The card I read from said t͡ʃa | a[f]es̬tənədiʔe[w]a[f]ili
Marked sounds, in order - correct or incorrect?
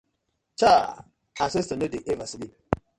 incorrect, incorrect, incorrect

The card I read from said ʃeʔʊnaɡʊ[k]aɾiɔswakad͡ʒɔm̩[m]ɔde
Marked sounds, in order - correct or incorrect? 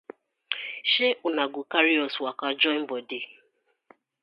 correct, incorrect

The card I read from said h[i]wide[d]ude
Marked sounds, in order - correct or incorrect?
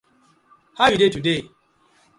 incorrect, incorrect

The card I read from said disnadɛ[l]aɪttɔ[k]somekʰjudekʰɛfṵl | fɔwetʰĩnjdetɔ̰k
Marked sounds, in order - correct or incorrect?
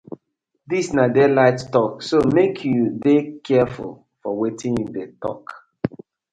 correct, correct

